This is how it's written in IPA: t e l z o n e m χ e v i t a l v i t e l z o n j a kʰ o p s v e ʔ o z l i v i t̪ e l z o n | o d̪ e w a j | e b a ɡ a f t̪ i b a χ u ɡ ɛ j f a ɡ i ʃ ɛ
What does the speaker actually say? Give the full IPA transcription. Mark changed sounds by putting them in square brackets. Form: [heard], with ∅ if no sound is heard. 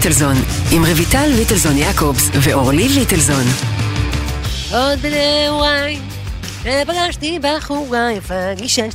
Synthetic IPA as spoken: t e l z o n [i] m [ʁ] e v i t a l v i t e l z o n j a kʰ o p s v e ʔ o [ʁ] l i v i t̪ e l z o n | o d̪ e w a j | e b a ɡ a [ʃ] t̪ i b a χ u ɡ [a] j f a ɡ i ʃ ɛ